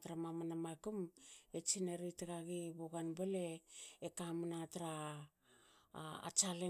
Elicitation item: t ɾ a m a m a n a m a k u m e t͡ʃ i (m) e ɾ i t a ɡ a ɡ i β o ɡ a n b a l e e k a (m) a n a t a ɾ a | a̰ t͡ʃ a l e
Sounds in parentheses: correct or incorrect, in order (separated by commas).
incorrect, correct